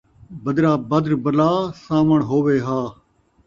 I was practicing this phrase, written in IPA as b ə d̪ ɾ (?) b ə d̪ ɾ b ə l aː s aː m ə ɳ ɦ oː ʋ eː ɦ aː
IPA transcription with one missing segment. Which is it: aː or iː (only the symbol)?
aː